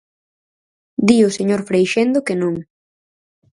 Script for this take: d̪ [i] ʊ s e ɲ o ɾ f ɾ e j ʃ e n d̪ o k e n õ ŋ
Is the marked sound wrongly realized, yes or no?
no